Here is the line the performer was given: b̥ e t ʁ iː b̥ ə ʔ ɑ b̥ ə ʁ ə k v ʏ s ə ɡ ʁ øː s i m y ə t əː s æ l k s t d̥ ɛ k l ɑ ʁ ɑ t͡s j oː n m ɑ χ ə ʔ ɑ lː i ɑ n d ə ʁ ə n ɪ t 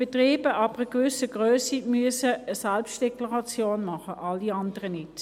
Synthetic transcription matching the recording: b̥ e t ʁ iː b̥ ə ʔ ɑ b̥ ə ʁ ə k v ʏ s ə ɡ ʁ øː s i m y ə s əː s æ l p s t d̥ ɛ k l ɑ ʁ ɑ t͡s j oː n m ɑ χ ə ʔ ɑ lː i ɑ n d ə ʁ ə n ɪ t